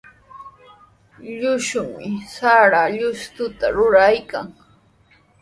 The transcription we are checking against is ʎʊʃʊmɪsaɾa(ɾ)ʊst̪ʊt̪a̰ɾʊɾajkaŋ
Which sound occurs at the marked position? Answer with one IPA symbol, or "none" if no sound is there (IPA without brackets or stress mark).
ʎ